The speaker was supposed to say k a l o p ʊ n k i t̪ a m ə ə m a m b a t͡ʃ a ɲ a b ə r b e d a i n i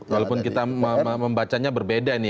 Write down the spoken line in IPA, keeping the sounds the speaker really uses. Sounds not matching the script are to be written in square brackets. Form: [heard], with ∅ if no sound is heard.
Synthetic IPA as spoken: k a l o p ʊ n k i t̪ a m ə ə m [ə] m b a t͡ʃ a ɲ a b ə r b e d a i n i